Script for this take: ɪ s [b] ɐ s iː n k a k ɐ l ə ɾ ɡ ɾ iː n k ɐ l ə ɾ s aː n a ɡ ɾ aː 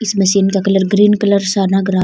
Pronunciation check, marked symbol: incorrect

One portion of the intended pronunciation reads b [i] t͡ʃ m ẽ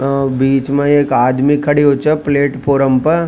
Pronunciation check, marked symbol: incorrect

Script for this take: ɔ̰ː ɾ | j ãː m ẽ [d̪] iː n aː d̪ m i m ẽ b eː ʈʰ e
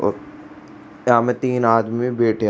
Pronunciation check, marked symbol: incorrect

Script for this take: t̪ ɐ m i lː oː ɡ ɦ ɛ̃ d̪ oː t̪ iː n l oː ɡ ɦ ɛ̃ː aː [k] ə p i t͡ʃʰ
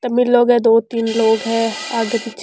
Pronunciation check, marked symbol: incorrect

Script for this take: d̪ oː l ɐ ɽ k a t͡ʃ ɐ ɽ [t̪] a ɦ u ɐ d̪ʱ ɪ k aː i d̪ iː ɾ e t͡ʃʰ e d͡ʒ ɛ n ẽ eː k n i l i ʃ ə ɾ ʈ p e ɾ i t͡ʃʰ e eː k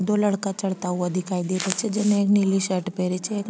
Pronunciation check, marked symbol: correct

